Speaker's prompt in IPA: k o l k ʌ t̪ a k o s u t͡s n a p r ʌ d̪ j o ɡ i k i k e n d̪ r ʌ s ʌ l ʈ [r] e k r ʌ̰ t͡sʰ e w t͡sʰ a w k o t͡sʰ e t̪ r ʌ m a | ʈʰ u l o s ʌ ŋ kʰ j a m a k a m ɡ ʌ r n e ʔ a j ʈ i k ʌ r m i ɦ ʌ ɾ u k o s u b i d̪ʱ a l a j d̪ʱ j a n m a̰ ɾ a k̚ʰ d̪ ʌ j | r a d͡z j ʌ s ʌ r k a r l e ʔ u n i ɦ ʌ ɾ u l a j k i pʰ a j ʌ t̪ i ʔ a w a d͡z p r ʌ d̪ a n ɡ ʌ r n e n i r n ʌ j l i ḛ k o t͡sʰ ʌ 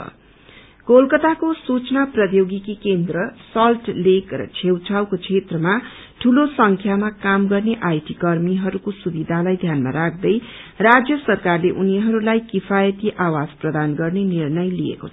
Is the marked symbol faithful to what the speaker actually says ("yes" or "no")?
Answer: no